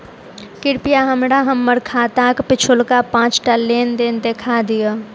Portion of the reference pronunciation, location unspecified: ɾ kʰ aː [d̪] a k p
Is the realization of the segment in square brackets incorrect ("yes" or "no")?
yes